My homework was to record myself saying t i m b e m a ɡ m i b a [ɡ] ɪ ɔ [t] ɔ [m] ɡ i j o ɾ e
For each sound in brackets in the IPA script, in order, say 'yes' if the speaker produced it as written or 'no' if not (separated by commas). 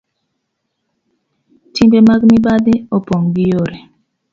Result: no, no, no